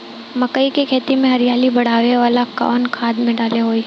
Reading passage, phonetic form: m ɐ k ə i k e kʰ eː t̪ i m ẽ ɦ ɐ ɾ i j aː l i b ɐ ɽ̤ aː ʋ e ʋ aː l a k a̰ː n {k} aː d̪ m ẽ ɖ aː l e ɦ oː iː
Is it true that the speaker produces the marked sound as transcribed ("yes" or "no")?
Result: no